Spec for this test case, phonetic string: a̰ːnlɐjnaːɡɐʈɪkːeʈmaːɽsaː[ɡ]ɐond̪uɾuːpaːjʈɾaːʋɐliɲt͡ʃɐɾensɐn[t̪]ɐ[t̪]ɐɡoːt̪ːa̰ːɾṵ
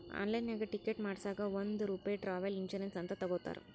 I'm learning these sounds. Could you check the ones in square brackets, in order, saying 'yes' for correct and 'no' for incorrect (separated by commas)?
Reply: yes, yes, yes